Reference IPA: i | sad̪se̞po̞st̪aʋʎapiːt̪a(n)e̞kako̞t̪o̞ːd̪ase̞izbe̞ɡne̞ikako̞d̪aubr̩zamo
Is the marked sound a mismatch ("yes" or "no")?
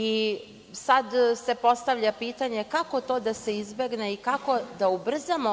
yes